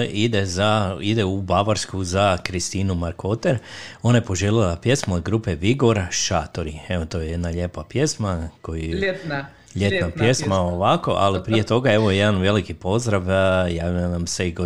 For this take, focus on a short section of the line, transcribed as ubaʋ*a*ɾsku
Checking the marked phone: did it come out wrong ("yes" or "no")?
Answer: no